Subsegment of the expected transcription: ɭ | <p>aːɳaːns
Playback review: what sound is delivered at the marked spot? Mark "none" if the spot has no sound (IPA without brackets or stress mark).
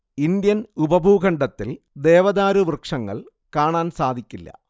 k